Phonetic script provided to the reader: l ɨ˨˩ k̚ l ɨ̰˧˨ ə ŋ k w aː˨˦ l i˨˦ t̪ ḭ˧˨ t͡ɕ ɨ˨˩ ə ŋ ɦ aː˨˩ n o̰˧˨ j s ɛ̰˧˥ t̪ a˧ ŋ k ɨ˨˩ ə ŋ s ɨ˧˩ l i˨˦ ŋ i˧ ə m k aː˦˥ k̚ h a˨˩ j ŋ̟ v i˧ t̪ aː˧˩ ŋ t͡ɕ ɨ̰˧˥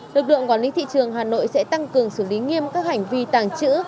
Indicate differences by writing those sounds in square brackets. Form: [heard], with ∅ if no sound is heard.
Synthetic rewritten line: l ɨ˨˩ k̚ l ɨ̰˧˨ ə ŋ k w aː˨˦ l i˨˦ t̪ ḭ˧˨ t͡ɕ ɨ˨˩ ə ŋ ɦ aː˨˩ n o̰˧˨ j s ɛ̰˧˥ t̪ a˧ ŋ k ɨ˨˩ ə ŋ s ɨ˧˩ l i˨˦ ŋ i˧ ə m k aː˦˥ k̚ h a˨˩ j ŋ̟ v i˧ t̪ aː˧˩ ŋ t͡ɕ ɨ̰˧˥